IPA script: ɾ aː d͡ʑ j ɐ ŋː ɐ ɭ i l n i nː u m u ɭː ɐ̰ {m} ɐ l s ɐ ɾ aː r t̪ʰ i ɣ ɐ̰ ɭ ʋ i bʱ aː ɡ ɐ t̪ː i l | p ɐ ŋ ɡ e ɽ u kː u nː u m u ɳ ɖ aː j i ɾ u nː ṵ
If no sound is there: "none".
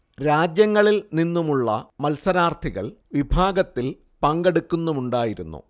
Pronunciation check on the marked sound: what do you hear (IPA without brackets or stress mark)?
m